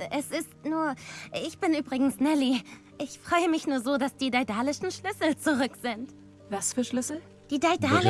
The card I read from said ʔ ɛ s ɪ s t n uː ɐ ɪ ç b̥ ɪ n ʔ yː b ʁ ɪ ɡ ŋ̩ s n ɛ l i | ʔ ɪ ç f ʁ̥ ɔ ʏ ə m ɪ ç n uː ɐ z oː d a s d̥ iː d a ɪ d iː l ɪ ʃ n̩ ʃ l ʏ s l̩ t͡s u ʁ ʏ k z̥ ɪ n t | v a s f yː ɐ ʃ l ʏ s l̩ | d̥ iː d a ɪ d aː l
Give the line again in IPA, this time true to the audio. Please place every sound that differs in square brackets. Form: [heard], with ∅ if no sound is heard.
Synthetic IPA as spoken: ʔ ɛ s ɪ s t n uː ɐ ɪ ç b̥ ɪ n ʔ yː b ʁ ɪ ɡ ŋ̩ s n ɛ l i | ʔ ɪ ç f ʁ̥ ɔ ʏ ə m ɪ ç n uː ɐ z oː d a s d̥ iː d a ɪ d [aː] l ɪ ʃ n̩ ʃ l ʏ s l̩ t͡s u ʁ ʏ k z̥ ɪ n t | v a s f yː ɐ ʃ l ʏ s l̩ | d̥ iː d a ɪ d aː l